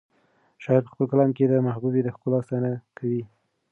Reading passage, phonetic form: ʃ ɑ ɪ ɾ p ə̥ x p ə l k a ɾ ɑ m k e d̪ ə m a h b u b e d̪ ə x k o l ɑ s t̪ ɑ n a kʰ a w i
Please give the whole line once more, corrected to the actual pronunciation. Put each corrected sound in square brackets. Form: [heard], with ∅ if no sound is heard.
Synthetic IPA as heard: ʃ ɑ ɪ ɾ p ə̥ x p ə l k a [l] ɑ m k e d̪ ə m a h b u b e d̪ ə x k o l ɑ s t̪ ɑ n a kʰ a w i